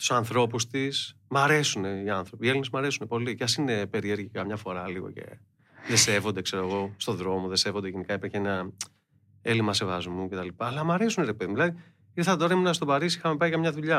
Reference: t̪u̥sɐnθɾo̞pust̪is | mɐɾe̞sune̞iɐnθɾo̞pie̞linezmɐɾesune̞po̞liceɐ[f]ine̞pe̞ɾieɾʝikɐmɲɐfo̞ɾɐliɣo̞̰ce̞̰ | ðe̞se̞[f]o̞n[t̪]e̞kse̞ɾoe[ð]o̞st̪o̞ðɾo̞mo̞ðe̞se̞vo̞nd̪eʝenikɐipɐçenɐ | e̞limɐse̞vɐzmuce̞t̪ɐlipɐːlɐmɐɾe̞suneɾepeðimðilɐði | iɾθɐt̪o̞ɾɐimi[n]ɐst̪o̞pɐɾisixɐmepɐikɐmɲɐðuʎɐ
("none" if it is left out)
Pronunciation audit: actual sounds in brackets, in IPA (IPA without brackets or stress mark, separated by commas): s, v, d̪, ɣ, n